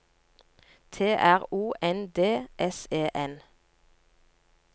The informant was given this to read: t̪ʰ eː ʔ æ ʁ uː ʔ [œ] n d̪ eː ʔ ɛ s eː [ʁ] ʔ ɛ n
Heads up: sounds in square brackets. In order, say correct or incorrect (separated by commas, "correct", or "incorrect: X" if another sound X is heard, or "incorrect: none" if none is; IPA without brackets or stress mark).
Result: incorrect: ɛ, incorrect: none